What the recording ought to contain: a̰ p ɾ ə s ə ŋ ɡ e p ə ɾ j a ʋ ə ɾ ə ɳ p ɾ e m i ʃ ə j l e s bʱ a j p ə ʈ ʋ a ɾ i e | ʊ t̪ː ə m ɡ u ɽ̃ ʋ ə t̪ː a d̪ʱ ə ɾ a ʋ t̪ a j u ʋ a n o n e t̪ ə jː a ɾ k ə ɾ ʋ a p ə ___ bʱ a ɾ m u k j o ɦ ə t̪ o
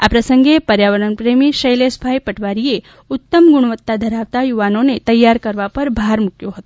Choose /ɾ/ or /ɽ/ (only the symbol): ɾ